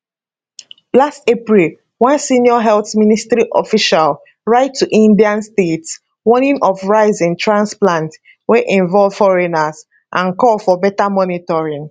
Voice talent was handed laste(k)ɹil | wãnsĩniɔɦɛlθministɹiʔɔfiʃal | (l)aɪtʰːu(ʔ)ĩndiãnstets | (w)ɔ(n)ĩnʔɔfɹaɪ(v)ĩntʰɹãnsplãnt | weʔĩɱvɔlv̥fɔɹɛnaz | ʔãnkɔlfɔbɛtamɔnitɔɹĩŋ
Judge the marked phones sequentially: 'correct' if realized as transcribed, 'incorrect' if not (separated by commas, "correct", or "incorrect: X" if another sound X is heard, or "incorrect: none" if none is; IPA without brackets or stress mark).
incorrect: p, incorrect: ɹ, correct, correct, correct, incorrect: z